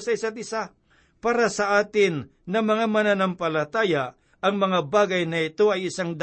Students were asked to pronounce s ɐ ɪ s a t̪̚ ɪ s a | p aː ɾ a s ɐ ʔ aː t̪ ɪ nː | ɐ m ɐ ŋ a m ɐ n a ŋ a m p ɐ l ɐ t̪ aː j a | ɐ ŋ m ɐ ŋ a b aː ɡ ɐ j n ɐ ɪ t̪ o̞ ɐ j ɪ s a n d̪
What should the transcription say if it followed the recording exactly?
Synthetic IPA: s ɐ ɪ s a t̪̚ ɪ s a | p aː ɾ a s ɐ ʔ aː t̪ ɪ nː | ɐ m ɐ ŋ a m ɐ n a n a m p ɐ l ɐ t̪ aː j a | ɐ ŋ m ɐ ŋ a b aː ɡ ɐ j n ɐ ɪ t̪ o̞ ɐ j ɪ s a ŋ d̪